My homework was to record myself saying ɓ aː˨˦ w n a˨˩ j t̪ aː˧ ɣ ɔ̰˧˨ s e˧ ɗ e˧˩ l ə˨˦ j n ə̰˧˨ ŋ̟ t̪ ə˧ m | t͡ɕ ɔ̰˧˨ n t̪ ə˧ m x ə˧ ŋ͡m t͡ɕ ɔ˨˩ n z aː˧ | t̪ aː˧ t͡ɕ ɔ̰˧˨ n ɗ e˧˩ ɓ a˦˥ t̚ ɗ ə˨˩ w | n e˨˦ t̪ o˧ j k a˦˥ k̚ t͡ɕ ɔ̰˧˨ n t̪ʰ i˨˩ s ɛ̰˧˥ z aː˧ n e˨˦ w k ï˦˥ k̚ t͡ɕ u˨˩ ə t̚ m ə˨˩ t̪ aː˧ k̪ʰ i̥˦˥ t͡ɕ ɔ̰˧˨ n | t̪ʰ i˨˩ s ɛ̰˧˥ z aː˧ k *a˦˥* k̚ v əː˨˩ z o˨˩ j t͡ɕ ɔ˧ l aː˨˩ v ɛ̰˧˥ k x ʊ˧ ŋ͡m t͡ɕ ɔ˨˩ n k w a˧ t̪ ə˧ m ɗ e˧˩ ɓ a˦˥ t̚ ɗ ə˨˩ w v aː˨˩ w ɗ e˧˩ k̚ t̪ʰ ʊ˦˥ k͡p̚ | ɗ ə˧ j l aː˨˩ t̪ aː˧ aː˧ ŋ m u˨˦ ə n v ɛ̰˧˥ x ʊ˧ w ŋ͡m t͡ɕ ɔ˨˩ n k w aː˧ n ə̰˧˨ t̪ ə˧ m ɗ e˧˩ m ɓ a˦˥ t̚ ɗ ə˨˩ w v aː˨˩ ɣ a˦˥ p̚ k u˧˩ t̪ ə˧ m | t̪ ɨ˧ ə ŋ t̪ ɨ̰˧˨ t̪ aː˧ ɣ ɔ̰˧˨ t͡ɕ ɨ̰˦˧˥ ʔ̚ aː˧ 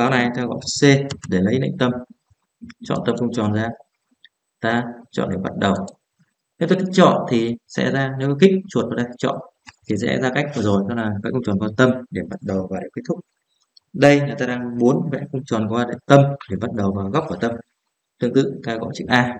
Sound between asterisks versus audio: correct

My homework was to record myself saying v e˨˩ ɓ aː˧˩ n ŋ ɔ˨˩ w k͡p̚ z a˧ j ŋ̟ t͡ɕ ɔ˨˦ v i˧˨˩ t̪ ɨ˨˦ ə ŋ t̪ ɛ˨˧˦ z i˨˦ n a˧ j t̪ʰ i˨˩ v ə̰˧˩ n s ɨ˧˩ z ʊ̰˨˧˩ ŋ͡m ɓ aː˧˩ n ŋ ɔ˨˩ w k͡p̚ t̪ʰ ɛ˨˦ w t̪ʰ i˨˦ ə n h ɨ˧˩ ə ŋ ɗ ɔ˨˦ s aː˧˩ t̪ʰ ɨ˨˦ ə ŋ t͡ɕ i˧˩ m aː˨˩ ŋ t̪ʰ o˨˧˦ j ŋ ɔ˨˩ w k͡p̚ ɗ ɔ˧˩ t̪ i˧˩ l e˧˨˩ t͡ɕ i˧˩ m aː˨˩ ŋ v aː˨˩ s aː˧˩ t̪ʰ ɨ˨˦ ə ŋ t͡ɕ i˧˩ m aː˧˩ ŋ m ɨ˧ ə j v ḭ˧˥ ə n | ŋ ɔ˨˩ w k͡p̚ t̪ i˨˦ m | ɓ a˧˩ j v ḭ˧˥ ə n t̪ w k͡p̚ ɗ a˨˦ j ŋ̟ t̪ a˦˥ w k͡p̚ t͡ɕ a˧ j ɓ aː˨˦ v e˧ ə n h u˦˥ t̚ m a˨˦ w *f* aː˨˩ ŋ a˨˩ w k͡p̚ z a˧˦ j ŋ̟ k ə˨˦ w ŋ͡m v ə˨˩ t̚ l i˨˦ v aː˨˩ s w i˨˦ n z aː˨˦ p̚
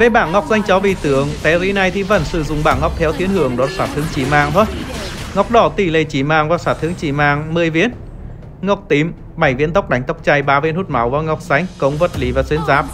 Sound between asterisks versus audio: incorrect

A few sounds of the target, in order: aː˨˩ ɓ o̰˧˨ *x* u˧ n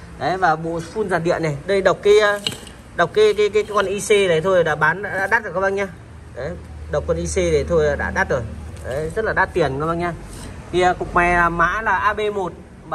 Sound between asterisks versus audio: incorrect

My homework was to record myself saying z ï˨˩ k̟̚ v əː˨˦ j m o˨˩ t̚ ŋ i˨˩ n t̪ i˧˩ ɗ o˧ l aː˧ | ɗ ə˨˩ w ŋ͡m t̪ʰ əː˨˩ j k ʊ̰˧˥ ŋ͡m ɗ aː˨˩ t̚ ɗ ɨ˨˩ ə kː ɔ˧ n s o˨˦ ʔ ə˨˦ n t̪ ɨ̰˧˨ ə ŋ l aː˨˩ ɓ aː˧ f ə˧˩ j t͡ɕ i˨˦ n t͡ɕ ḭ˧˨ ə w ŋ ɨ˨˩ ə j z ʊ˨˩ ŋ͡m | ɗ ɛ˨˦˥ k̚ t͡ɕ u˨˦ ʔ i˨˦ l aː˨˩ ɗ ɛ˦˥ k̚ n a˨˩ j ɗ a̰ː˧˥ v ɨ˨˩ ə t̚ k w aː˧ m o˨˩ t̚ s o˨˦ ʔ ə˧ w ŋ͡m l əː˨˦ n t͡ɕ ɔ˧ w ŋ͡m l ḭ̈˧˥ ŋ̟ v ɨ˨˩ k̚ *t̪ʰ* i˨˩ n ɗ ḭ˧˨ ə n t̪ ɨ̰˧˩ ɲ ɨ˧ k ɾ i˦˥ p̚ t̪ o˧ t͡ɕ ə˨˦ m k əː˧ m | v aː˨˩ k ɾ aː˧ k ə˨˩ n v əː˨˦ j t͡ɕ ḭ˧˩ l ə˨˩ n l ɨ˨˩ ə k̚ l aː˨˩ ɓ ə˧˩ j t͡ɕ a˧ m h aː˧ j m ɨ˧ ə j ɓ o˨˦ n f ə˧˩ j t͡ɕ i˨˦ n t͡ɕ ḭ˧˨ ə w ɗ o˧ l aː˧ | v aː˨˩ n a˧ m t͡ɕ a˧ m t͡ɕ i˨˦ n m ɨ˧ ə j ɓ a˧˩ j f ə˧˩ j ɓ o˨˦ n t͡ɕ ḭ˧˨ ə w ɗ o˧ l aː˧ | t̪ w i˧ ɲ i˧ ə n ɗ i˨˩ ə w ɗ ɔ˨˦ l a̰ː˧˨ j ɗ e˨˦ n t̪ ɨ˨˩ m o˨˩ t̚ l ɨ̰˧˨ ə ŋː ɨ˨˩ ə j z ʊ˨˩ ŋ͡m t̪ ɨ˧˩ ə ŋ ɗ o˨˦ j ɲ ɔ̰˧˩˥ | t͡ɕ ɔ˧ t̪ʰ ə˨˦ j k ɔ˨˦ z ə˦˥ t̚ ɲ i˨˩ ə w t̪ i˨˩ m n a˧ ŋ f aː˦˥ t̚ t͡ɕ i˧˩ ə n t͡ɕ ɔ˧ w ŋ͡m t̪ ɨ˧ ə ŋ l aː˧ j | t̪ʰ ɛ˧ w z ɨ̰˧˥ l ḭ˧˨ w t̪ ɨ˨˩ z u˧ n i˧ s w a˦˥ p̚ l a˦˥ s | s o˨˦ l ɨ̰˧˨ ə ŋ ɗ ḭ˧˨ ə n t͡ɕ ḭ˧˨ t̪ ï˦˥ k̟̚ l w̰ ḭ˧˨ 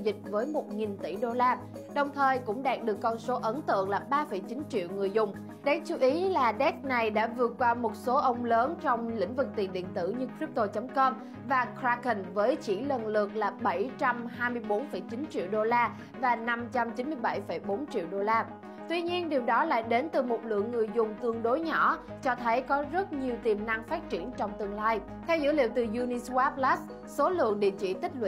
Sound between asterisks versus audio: incorrect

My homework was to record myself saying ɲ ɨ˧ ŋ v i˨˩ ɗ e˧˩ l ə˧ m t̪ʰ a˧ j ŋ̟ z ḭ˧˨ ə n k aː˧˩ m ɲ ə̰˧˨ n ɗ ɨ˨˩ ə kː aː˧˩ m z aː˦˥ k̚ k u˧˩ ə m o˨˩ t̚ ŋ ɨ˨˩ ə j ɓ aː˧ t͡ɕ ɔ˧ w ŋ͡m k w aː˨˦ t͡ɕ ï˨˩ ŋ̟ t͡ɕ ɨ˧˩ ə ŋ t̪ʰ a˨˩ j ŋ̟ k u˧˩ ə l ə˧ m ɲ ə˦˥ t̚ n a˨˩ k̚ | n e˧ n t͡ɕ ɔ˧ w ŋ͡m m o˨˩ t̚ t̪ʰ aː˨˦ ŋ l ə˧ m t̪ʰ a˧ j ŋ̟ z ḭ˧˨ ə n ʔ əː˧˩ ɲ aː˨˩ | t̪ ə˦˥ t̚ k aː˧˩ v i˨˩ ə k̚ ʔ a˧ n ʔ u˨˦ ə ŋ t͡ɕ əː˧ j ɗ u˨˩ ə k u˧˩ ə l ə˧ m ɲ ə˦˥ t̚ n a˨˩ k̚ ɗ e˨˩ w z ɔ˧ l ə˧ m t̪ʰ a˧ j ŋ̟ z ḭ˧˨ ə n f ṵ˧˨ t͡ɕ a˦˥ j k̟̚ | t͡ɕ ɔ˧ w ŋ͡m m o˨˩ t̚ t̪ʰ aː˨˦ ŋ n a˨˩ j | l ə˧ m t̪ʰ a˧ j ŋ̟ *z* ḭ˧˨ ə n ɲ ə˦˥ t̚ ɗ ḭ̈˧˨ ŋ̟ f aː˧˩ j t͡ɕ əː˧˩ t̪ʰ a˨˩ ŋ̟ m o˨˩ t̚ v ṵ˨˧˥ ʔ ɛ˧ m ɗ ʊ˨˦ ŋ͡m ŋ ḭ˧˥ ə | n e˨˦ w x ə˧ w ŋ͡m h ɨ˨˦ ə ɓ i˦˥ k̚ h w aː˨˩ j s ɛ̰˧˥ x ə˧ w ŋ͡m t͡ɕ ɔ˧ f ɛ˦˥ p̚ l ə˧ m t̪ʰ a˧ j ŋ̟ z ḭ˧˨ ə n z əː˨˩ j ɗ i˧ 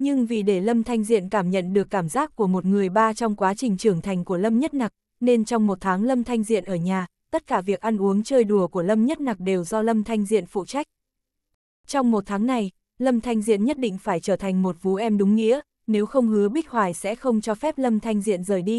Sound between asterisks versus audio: correct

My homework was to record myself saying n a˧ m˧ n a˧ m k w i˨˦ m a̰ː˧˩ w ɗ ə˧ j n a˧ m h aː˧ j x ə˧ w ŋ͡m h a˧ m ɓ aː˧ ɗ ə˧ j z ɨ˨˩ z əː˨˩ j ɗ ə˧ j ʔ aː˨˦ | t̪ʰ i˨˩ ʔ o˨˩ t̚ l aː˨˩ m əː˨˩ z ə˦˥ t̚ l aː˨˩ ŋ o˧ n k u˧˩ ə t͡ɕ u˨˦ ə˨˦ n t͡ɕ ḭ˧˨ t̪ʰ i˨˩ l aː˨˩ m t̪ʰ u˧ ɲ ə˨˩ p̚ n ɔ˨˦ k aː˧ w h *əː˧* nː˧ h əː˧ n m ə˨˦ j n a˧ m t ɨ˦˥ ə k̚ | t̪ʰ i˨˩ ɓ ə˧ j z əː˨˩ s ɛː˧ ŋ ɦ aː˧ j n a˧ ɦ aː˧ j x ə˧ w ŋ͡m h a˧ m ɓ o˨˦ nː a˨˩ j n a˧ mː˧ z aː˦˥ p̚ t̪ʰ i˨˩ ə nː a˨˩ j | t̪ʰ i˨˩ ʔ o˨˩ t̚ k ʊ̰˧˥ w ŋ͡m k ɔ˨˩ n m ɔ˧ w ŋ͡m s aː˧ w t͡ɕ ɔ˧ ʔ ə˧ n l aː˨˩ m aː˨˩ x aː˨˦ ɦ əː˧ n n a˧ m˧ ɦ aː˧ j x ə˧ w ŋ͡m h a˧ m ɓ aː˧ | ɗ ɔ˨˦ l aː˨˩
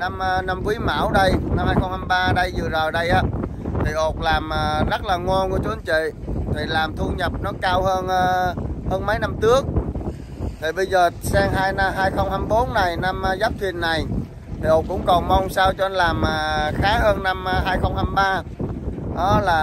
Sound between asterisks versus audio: correct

